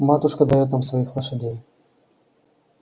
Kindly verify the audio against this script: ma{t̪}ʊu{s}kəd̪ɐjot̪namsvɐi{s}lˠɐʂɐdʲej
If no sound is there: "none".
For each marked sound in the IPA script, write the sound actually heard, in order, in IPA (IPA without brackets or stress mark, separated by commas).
t̪, ʂ, x